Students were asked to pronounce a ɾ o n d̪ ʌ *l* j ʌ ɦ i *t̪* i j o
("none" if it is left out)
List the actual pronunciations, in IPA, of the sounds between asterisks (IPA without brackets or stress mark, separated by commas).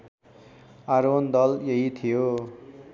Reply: l, t̪ʰ